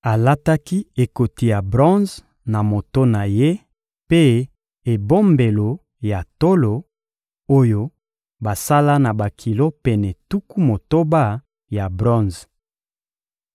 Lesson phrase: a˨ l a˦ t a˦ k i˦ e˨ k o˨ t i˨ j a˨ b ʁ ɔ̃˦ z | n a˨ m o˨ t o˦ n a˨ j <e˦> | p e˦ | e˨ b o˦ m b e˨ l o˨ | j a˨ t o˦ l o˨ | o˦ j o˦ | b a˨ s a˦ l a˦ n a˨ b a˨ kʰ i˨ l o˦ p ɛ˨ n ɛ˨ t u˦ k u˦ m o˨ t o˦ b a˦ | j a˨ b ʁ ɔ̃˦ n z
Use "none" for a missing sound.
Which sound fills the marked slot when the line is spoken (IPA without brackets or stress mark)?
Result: e˦